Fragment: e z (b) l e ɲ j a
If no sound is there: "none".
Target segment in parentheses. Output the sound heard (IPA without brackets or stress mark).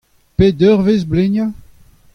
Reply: b